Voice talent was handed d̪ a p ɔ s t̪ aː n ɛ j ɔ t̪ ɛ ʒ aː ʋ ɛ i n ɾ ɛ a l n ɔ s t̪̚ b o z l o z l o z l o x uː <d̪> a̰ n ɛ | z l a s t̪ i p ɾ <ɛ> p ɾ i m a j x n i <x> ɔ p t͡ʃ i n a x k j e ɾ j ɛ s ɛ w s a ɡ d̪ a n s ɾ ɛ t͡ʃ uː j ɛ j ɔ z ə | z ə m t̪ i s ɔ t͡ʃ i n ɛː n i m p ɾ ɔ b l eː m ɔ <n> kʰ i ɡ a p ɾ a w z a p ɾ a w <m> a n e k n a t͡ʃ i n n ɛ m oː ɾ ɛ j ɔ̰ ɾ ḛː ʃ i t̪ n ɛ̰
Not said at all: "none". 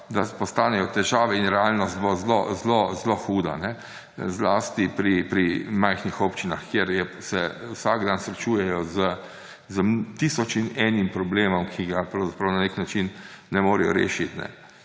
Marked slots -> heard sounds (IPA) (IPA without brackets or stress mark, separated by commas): d̪, i, x, m, n